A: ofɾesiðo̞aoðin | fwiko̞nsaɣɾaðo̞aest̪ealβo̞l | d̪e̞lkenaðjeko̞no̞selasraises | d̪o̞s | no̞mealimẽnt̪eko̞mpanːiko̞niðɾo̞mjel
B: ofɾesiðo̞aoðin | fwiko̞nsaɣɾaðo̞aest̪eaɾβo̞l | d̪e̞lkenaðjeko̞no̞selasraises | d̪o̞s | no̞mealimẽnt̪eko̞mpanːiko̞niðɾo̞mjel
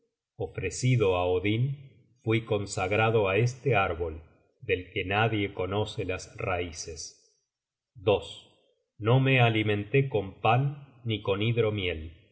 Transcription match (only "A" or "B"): B